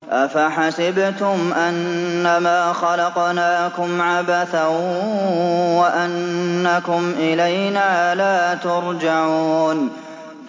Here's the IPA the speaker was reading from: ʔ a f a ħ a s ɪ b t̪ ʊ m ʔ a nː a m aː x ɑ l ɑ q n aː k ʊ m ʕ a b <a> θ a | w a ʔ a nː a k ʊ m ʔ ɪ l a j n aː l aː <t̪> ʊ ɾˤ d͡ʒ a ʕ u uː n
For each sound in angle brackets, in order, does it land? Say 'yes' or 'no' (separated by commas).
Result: yes, yes